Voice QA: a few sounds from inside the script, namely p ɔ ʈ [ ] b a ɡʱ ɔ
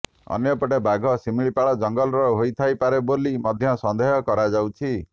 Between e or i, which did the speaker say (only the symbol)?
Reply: e